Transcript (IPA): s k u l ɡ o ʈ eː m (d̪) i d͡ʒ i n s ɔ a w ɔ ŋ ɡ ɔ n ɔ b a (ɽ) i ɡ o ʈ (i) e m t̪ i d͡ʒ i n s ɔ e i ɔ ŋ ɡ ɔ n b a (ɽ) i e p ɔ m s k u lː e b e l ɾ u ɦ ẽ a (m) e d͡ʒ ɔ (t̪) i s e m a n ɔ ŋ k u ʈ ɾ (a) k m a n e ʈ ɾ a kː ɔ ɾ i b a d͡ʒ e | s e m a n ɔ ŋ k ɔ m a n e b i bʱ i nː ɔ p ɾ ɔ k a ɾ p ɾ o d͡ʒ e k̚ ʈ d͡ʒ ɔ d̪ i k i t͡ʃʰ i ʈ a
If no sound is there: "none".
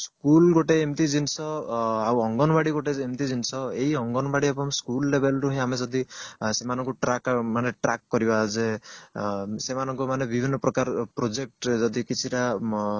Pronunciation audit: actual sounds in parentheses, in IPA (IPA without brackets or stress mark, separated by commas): t̪, ɽ, e, ɽ, m, d̪, a